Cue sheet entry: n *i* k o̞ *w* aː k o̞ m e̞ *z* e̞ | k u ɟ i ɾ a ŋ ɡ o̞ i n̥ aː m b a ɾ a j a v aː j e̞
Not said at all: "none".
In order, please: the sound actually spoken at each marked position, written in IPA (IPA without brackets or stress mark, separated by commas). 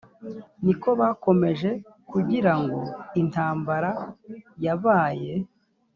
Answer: i, β, ʒ